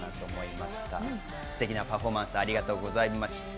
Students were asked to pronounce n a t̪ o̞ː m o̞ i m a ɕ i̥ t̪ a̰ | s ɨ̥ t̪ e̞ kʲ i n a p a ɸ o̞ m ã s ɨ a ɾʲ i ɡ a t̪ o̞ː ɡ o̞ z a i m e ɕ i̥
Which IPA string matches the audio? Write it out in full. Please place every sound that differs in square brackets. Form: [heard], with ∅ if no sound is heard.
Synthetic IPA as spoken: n a t̪ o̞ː m o̞ i m a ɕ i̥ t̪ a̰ | s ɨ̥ t̪ e̞ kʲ i n a p a ɸ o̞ m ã s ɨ a ɾʲ i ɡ a t̪ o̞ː ɡ o̞ z a i m [a] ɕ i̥